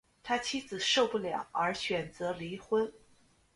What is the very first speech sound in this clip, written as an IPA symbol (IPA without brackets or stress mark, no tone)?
t̪ʰ